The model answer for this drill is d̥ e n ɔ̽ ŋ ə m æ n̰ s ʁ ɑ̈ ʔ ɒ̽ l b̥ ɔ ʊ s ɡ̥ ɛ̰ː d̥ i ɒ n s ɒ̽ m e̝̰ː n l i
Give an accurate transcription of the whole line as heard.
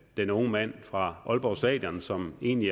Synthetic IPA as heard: d̥ e n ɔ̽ ŋ ə m æ n̰ f ʁ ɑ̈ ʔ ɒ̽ l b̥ ɒ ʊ s d̥ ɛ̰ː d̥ j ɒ n s ɒ̽ m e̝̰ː n l i